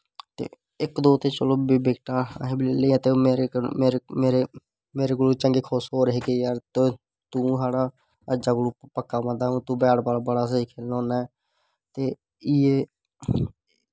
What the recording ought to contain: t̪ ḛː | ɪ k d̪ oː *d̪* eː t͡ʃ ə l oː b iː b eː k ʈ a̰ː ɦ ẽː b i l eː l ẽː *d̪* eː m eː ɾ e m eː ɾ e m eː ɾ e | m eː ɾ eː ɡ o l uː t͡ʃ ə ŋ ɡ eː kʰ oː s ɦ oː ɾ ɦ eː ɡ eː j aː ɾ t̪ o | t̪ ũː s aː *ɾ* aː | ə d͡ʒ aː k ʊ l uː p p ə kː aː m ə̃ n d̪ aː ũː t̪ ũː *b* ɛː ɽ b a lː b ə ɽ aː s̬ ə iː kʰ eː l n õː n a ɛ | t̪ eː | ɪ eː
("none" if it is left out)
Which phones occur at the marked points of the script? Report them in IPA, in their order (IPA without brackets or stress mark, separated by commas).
t̪, t̪, ɽ, b